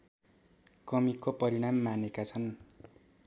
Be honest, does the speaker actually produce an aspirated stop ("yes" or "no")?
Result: yes